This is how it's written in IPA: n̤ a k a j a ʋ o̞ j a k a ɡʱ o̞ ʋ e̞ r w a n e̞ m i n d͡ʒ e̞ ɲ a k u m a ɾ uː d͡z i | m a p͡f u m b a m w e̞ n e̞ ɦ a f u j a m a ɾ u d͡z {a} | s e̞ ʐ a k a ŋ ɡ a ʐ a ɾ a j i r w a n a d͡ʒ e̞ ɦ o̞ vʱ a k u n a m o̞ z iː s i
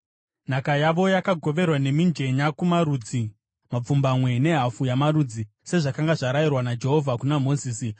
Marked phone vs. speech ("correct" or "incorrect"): incorrect